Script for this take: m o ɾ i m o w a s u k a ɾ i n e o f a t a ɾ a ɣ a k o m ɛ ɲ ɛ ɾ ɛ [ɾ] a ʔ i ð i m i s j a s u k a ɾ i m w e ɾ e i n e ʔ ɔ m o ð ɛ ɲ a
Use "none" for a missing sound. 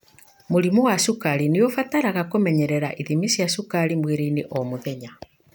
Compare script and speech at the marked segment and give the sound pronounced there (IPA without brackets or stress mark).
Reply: ɾ